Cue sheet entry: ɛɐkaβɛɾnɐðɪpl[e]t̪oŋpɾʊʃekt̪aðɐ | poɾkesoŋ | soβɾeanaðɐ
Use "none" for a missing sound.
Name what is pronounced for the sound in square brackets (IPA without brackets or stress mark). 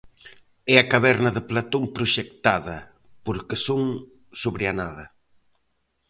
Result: a